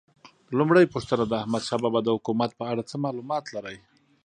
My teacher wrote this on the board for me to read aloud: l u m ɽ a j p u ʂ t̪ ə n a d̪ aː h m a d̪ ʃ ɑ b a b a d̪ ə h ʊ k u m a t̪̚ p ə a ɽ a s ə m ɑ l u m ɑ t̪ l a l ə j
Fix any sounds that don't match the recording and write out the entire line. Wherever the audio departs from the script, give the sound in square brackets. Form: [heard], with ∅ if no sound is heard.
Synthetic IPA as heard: l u m ɽ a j p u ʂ t̪ ə n a d̪ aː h m a d̪ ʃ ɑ b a b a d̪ ə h ʊ k u m a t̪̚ p ə a ɽ a [t͡s] ə m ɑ l u m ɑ t̪ l a [ɾ] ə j